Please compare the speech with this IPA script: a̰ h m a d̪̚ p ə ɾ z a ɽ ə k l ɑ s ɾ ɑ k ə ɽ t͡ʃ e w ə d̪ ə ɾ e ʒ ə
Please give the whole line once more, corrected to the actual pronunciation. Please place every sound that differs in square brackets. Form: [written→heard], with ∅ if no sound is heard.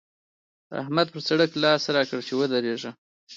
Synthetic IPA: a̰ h m a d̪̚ p ə ɾ [z→s] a ɽ ə k l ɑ s ɾ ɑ k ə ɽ t͡ʃ e w ə d̪ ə ɾ e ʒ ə

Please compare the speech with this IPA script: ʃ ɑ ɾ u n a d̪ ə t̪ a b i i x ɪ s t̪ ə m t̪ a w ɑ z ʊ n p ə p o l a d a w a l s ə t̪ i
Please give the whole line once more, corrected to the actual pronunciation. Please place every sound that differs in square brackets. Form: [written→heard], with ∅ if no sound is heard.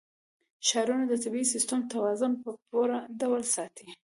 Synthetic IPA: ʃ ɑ ɾ u n a d̪ ə t̪ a b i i [x→s] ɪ s t̪ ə m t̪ a w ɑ z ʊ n p ə p o [l→ɾ] a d a w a l s [ə→ɑ] t̪ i

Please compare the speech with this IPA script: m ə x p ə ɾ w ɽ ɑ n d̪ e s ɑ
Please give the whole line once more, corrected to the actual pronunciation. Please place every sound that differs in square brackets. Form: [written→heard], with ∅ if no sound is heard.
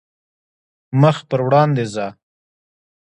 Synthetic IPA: m ə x p ə ɾ w ɽ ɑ n d̪ e [s→z] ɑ

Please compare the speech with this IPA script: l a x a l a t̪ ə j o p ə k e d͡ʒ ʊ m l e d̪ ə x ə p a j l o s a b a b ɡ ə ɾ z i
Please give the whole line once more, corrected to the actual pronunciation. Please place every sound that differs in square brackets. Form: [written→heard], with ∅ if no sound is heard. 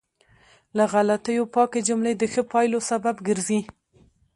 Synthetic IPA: l a [x→ɣ] a l a t̪ ə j o p [ə→ɑ] k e d͡ʒ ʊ m l e d̪ ə x ə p [a→ɑ] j l o s a b a b ɡ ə ɾ z i

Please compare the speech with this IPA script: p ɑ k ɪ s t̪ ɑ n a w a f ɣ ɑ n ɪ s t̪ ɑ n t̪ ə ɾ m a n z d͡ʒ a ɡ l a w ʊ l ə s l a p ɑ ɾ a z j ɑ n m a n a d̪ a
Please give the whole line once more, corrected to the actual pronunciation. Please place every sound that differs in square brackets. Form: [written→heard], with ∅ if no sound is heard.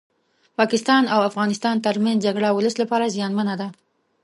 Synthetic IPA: p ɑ k ɪ s t̪ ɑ n a w a f ɣ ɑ n ɪ s t̪ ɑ n t̪ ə ɾ m a n z d͡ʒ a ɡ [l→ɽ] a w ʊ l ə s l a p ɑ ɾ a z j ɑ n m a n a d̪ a

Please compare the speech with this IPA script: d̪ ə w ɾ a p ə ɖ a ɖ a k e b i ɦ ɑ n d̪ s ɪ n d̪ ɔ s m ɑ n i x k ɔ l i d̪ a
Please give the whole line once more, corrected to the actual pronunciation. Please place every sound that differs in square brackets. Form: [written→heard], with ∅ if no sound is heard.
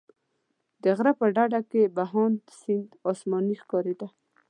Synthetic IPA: d̪ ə [w→ɣ] ɾ a p ə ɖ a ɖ a k e b [i→a] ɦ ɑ n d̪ s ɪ n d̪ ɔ s m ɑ n i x k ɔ [l→ɾ] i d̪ a

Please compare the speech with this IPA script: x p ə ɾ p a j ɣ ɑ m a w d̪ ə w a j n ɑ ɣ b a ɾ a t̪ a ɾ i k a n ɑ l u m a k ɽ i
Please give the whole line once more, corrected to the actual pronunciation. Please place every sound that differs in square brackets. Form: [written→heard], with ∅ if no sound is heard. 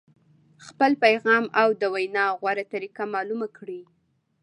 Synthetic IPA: x p ə [ɾ→l] p a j ɣ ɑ m a w d̪ ə w a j n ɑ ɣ [b→w] a ɾ a t̪ a ɾ i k a [n→m] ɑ l u m a k ɽ i

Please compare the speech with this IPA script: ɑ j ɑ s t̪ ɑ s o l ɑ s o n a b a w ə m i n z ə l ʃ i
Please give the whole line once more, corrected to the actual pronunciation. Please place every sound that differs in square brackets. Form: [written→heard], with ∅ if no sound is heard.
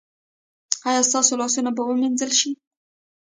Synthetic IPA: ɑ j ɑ s t̪ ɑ s o l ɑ s [o→u] n a b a w ə m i n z ə l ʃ i

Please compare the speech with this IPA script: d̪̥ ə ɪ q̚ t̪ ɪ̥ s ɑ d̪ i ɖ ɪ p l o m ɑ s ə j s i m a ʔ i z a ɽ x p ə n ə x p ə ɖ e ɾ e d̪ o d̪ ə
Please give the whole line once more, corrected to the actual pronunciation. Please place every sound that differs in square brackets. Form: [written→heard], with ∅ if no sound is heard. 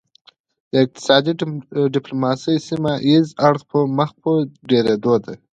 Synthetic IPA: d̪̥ ə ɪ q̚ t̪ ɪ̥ s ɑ d̪ i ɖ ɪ p l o m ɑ s ə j s i m a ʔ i z a ɽ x p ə [n→m] ə x p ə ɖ e ɾ e d̪ o d̪ [ə→a]

